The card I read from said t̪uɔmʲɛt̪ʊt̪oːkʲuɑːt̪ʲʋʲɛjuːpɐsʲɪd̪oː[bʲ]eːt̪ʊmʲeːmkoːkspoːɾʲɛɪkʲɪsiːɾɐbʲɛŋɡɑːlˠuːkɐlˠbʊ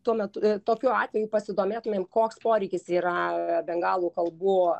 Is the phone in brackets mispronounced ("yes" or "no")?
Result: yes